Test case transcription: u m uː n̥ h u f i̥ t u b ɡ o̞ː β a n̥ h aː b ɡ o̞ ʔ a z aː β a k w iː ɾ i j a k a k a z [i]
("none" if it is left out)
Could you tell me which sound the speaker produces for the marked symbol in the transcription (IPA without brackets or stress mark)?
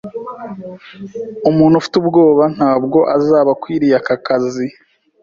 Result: i